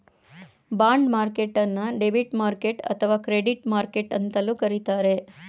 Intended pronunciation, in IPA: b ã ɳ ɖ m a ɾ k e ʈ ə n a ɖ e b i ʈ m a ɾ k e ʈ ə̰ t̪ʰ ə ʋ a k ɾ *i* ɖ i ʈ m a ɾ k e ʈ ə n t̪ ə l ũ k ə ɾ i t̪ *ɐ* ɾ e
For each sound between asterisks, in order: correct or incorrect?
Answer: incorrect: e, incorrect: a

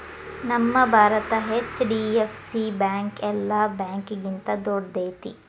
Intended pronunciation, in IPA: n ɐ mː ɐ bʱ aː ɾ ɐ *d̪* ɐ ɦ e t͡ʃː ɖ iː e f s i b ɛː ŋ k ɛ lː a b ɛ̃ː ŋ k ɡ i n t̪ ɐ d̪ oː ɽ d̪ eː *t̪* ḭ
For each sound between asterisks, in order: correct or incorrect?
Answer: incorrect: t̪, correct

